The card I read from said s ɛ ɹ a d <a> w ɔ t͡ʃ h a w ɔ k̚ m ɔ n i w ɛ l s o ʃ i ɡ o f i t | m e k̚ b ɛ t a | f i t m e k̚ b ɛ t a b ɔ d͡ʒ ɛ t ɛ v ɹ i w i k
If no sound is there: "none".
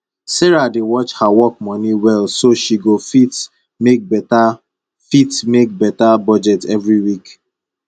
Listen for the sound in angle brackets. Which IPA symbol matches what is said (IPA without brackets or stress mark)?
e